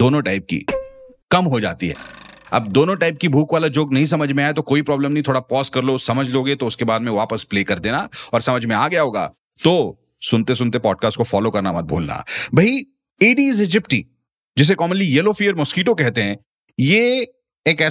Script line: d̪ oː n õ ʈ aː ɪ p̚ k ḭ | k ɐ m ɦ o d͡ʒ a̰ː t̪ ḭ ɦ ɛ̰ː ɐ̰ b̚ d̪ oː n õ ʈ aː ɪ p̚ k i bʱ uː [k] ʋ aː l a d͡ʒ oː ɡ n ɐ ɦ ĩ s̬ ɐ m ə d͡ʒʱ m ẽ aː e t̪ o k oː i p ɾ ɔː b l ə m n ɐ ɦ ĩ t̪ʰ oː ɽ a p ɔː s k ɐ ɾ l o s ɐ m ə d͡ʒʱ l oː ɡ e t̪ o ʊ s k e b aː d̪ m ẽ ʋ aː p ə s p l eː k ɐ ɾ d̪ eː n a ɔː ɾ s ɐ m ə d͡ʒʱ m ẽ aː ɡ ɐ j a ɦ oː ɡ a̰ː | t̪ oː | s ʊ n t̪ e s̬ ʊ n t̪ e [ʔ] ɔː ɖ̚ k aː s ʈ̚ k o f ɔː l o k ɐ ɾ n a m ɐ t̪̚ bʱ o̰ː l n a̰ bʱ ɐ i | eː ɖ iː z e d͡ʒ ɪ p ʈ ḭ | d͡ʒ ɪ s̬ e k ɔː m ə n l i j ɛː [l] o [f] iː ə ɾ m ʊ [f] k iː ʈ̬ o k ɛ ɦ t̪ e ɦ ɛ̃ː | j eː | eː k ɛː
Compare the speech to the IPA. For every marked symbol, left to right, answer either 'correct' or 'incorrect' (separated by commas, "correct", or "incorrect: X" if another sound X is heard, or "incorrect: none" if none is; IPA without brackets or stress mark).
correct, incorrect: p, correct, correct, incorrect: s